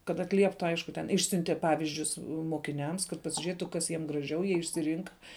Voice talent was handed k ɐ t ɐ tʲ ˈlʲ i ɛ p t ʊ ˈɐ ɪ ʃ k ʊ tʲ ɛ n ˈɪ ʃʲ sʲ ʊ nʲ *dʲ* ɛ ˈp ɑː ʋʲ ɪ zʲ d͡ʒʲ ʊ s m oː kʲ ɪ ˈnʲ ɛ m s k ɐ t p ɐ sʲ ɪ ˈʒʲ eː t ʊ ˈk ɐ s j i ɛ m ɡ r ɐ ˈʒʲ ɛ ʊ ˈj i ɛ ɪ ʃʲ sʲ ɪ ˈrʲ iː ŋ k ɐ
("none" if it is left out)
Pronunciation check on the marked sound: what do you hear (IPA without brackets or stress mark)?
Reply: tʲ